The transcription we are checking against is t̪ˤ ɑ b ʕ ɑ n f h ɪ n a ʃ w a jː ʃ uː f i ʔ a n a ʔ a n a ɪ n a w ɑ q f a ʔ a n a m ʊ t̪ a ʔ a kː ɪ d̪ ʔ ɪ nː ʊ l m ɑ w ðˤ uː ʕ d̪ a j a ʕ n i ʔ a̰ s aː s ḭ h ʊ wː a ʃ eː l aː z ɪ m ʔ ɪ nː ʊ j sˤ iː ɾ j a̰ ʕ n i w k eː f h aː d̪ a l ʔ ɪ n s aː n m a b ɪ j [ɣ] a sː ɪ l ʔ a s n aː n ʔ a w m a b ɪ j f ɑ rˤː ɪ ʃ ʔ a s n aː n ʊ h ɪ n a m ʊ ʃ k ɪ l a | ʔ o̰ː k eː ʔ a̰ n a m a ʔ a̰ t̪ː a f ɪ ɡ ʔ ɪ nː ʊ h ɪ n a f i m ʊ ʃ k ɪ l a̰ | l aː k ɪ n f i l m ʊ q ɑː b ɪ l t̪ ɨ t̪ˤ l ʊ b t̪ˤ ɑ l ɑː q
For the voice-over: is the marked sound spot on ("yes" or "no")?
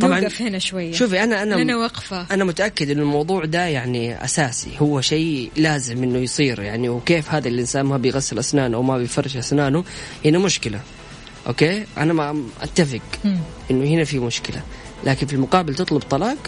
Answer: yes